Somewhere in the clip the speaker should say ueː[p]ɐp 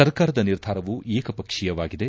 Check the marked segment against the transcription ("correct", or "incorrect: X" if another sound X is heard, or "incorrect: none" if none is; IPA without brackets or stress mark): incorrect: k